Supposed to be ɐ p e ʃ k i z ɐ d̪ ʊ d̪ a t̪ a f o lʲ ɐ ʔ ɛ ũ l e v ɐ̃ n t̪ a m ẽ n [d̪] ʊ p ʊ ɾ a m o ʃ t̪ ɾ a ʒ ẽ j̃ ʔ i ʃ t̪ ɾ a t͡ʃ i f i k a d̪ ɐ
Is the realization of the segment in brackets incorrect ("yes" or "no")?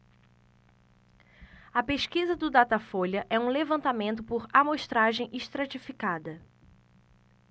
yes